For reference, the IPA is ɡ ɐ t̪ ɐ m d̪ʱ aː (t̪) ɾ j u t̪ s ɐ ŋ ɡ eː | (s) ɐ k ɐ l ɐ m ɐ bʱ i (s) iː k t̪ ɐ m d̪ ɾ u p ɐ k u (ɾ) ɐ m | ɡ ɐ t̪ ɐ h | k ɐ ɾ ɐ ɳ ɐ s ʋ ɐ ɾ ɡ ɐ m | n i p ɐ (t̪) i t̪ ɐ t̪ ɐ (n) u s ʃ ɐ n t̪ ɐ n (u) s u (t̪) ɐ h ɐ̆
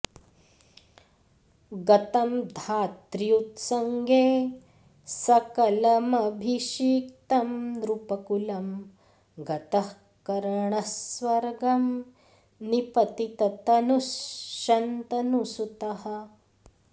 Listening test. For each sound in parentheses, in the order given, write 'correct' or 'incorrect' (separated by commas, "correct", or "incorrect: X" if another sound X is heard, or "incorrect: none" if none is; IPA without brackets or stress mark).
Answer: correct, correct, incorrect: ʃ, incorrect: l, correct, correct, correct, correct